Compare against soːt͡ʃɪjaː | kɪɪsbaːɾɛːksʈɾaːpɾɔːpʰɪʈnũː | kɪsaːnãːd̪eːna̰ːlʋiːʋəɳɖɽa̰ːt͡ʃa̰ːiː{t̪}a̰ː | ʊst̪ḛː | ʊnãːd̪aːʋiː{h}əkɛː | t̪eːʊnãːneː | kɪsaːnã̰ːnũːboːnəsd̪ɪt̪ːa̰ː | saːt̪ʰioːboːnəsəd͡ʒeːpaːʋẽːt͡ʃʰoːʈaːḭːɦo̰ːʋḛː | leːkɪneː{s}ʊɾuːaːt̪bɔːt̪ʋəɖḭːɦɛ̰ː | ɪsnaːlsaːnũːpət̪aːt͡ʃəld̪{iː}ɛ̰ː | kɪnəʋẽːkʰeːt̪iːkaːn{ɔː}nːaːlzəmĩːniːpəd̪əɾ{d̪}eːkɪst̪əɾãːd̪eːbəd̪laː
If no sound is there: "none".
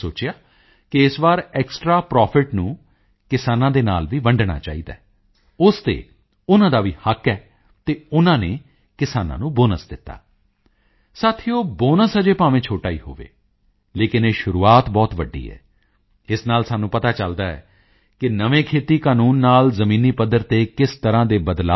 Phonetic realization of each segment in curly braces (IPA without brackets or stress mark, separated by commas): d̪, h, ʃ, aː, uː, t̪